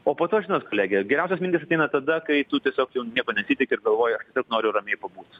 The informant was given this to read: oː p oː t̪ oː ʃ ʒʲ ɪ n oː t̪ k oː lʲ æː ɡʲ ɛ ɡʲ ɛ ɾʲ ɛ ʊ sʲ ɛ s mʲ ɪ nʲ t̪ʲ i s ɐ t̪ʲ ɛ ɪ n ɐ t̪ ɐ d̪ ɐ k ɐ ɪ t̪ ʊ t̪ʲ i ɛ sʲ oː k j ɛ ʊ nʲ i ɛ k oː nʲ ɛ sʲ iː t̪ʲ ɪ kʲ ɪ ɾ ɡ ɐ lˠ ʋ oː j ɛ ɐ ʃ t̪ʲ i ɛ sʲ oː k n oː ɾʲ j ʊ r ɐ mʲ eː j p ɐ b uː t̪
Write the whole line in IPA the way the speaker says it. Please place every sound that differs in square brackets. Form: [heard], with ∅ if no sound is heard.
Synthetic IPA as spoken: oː p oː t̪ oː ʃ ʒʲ ɪ n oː t̪ k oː lʲ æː ɡʲ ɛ ɡʲ ɛ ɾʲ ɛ ʊ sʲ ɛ s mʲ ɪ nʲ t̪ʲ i s ɐ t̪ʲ ɛ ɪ n ɐ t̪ ɐ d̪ ɐ k ɐ ɪ t̪ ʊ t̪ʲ i ɛ sʲ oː k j ɛ ʊ nʲ i ɛ k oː nʲ ɛ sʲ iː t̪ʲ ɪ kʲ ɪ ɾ ɡ ɐ lˠ ʋ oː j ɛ ɐ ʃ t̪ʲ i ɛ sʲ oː k n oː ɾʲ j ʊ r ɐ mʲ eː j p ɐ b uː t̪